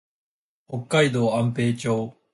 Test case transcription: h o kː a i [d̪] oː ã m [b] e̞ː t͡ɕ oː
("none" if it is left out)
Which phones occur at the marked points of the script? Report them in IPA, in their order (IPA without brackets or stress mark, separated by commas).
d̪, p